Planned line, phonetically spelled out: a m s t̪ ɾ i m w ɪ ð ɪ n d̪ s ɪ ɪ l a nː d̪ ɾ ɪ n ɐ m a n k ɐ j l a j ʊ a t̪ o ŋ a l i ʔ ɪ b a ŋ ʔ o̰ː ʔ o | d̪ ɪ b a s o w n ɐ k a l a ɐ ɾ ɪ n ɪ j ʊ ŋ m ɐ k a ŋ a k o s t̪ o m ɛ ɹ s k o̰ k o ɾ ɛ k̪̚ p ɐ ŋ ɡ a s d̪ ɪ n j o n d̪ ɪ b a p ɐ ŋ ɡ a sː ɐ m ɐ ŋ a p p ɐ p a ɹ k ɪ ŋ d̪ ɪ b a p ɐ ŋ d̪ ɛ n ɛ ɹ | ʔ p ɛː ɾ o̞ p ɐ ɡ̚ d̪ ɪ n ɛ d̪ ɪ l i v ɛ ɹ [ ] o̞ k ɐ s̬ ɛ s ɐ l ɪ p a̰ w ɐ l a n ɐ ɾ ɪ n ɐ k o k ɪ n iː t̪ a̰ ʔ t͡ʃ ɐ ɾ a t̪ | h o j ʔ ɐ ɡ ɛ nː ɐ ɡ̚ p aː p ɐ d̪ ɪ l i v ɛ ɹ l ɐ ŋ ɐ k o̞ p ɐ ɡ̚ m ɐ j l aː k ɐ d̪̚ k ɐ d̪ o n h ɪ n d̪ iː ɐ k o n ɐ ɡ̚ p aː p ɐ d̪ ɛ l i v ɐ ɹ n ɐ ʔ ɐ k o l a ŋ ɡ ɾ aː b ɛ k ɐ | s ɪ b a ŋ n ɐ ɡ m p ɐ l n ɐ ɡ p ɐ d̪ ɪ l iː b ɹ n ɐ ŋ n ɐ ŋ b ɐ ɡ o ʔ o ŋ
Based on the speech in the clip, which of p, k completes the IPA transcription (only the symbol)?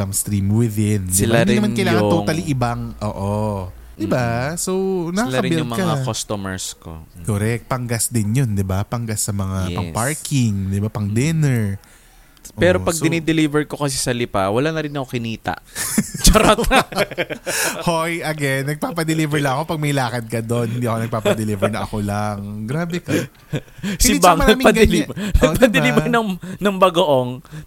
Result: k